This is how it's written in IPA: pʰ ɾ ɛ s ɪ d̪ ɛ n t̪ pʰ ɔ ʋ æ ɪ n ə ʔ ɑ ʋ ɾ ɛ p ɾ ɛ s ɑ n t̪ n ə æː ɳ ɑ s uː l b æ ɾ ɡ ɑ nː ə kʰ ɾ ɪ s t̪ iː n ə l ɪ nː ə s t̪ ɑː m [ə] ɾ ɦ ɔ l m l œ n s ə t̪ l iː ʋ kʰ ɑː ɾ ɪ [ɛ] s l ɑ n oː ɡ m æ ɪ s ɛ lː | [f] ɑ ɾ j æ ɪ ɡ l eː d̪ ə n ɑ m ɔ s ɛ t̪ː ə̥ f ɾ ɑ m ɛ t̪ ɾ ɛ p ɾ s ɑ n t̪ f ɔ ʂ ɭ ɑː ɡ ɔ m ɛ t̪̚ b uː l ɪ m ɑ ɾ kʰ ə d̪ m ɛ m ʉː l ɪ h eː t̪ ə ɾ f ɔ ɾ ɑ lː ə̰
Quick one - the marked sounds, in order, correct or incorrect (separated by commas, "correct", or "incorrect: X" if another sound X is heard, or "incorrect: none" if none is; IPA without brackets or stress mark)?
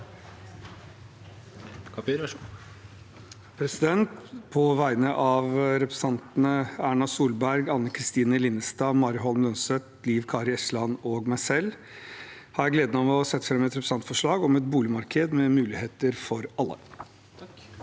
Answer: incorrect: ɑ, correct, incorrect: h